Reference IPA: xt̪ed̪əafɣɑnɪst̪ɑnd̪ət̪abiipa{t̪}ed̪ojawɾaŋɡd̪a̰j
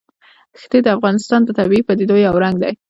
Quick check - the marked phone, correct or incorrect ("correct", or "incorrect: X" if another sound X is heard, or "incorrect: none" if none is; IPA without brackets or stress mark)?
incorrect: d̪